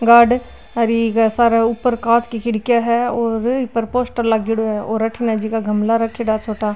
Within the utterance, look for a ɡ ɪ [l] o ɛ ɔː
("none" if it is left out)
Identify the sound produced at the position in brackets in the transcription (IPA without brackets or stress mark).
ɽ